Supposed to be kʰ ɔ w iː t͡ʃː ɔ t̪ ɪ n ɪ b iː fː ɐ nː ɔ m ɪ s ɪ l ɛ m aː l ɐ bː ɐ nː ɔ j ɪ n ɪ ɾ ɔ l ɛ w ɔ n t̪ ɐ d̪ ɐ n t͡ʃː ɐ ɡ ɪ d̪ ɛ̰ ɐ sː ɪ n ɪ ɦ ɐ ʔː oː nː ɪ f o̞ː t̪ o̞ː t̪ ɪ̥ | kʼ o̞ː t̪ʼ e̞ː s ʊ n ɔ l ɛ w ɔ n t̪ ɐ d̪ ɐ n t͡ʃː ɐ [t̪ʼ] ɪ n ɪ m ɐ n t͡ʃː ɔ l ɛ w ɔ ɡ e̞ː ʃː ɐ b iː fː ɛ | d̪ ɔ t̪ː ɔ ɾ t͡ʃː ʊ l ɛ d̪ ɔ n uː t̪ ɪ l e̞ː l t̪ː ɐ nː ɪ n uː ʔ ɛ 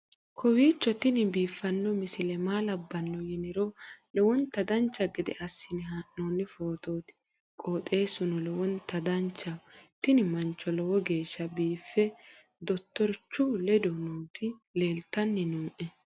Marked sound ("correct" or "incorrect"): incorrect